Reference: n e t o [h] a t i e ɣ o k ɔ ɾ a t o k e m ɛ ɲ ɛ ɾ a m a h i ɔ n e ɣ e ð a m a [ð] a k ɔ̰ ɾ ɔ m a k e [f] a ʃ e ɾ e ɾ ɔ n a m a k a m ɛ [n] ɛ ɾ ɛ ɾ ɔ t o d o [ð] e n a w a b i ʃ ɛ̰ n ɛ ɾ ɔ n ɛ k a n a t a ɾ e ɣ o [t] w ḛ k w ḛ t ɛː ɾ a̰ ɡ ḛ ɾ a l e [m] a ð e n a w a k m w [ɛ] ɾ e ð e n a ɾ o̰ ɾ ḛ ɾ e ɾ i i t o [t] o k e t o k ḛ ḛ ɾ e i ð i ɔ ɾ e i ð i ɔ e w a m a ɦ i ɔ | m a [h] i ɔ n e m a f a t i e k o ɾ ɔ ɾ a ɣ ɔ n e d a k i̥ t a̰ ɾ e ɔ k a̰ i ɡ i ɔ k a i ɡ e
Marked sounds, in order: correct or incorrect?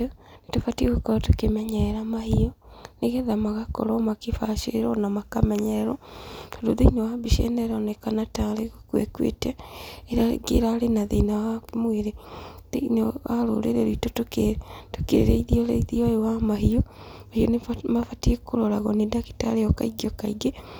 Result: incorrect: f, incorrect: ɣ, correct, incorrect: ɲ, correct, incorrect: k, incorrect: n, incorrect: e, correct, correct

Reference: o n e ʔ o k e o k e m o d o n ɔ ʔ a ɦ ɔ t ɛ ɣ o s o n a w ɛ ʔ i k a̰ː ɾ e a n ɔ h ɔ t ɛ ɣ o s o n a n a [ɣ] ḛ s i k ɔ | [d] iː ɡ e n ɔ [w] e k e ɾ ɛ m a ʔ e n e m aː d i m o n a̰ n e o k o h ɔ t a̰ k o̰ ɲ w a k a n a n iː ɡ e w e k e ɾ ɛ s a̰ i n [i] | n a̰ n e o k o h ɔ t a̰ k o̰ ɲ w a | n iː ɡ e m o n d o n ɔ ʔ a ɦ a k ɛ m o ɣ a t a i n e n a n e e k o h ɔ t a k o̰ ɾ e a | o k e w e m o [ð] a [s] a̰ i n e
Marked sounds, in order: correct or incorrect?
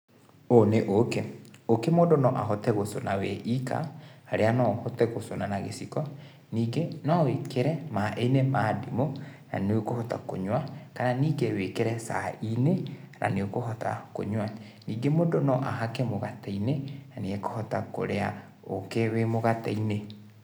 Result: correct, incorrect: n, correct, incorrect: e, incorrect: ɣ, incorrect: t

